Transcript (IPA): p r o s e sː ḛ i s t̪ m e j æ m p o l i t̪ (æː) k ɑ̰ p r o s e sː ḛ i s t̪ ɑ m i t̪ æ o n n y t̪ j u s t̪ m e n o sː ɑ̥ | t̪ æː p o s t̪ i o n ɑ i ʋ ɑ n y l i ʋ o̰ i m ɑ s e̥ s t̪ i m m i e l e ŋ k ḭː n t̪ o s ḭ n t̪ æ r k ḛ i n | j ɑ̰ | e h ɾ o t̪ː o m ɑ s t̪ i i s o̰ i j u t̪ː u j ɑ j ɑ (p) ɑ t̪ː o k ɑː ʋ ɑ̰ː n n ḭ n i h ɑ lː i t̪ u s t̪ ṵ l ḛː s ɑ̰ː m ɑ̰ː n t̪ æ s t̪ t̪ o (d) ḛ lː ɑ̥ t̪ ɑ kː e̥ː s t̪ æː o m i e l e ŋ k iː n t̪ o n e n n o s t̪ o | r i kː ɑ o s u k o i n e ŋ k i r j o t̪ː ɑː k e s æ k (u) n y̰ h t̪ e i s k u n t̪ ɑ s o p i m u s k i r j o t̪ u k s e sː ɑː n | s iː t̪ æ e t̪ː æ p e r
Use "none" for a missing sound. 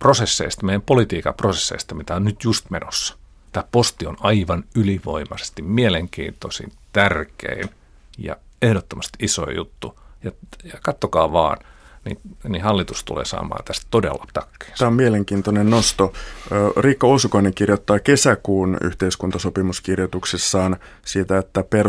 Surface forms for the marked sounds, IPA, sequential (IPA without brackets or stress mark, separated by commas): iː, k, d, uː